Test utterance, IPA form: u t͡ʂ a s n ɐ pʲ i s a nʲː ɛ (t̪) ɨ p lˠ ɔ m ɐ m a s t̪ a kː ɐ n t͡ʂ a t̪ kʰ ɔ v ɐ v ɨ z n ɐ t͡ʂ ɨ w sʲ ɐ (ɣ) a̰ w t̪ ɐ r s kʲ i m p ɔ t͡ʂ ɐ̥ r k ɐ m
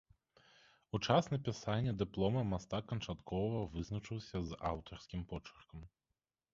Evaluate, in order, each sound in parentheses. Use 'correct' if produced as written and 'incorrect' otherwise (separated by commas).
incorrect, incorrect